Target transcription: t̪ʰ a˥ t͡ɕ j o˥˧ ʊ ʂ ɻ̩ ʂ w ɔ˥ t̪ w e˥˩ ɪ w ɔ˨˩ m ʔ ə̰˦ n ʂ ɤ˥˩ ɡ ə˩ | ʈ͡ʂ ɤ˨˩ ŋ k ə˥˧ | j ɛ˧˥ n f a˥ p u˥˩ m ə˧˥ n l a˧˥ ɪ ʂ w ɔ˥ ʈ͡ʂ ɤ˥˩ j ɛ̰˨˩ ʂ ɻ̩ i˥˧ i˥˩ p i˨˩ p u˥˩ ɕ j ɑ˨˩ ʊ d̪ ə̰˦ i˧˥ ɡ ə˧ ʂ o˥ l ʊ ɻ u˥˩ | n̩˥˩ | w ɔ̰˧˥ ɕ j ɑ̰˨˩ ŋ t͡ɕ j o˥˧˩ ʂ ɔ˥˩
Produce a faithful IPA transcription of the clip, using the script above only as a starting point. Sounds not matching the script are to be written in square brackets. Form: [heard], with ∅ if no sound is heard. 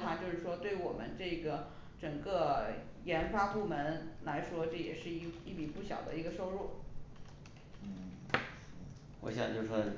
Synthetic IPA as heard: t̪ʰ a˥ t͡ɕ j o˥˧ ʊ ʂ ɻ̩ ʂ w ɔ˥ t̪ w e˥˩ ɪ w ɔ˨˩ m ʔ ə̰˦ n [ʈ͡ʂ] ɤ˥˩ ɡ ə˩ | ʈ͡ʂ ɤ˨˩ ŋ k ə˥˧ | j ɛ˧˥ n f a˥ p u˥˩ m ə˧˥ n l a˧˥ ɪ ʂ w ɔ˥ ʈ͡ʂ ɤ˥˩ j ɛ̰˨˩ ʂ ɻ̩ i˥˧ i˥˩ p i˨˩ p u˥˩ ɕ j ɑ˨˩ ʊ d̪ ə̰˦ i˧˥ ɡ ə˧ ʂ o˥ [∅] ʊ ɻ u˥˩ | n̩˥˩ | w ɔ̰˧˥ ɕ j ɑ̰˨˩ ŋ t͡ɕ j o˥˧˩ ʂ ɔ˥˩